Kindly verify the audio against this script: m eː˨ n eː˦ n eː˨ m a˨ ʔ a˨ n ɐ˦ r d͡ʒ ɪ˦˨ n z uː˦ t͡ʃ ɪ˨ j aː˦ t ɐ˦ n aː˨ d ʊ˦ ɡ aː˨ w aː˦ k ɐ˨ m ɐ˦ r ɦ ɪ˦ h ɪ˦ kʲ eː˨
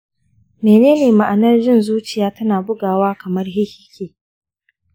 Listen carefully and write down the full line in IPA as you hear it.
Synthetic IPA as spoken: m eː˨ n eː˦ n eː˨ m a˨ ʔ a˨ n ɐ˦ r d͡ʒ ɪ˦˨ n z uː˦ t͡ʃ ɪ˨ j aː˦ t ɐ˦ n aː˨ b ʊ˦ ɡ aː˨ w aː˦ k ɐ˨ m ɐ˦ r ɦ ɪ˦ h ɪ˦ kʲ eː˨